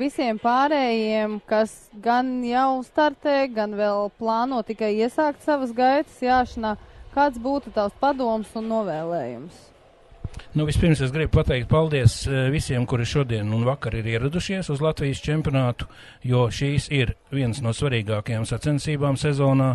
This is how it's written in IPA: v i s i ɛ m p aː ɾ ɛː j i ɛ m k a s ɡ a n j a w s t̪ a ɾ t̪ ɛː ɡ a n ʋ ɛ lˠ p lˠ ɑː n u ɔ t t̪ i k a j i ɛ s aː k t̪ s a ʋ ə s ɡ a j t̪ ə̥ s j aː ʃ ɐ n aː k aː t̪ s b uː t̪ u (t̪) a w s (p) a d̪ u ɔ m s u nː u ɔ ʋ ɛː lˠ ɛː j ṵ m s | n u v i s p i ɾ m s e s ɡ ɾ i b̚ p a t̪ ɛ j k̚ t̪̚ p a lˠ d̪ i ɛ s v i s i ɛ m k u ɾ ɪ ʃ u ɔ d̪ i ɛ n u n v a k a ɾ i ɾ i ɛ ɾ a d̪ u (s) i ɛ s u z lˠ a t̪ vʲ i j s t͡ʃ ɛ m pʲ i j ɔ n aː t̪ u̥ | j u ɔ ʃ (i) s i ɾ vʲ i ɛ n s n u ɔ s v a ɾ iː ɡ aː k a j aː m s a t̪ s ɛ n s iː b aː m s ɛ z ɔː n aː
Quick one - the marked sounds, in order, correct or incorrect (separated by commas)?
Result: correct, correct, incorrect, incorrect